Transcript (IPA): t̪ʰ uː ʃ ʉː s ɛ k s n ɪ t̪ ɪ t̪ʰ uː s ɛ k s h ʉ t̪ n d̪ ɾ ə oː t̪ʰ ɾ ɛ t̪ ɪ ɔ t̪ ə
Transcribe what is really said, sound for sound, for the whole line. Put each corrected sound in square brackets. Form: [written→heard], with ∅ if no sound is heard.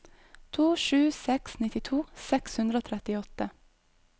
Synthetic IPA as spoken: t̪ʰ uː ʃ ʉː s ɛ k s n ɪ t̪ ɪ t̪ʰ uː s ɛ k s h ʉ [t̪→∅] n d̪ ɾ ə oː t̪ʰ ɾ ɛ t̪ ɪ ɔ t̪ ə